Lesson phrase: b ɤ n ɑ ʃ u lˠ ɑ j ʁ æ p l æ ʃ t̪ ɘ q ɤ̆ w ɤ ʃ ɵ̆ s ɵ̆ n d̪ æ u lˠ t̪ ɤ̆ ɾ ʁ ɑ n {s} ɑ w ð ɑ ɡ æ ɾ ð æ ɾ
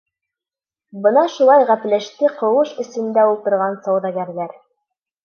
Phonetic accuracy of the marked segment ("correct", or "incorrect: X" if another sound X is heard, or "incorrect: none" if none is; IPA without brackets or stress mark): correct